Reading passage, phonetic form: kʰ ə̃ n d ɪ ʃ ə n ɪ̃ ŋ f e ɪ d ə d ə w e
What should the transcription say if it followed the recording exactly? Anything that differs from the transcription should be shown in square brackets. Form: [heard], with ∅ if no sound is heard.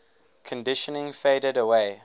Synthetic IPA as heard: kʰ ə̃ n d ɪ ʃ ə n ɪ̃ ŋ f e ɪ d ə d ə w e